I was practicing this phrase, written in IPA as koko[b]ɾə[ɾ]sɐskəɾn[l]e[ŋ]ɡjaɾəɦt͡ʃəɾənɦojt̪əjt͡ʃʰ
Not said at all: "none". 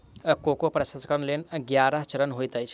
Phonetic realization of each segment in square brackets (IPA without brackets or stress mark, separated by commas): p, none, l, n